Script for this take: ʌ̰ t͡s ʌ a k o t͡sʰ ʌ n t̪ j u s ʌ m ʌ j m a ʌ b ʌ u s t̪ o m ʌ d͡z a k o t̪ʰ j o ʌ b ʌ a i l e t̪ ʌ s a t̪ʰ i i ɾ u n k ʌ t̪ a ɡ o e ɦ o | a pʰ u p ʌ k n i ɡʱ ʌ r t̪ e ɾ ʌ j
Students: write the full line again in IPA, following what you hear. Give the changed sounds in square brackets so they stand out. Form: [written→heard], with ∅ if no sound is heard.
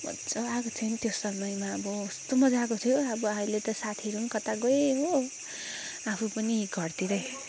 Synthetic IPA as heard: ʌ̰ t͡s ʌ a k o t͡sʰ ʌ n t̪ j [u→o] s ʌ m ʌ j m a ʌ b ʌ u s t̪ o m ʌ d͡z a k o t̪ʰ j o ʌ b ʌ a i l e t̪ ʌ s a t̪ʰ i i ɾ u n k ʌ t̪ a ɡ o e ɦ o | a pʰ u p ʌ [k→∅] n i ɡʱ ʌ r t̪ [e→i] ɾ ʌ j